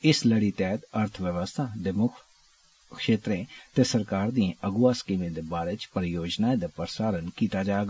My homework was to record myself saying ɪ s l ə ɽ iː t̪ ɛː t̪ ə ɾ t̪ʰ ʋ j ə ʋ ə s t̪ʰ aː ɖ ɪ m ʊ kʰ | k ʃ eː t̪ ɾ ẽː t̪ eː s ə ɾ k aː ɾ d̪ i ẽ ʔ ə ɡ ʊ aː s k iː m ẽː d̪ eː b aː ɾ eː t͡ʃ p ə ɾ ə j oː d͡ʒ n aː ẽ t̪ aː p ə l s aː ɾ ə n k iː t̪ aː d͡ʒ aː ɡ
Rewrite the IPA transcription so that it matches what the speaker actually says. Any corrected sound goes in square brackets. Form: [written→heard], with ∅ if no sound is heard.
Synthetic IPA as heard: ɪ s l ə ɽ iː t̪ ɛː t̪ ə ɾ t̪ʰ ʋ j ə ʋ ə s t̪ʰ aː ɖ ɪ m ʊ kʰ | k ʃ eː t̪ ɾ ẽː t̪ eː s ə ɾ k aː ɾ d̪ i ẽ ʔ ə ɡ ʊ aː s k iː m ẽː d̪ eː b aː ɾ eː t͡ʃ p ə ɾ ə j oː d͡ʒ n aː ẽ [t̪→d̪] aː p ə [l→ɾ] s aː ɾ ə n k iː t̪ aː d͡ʒ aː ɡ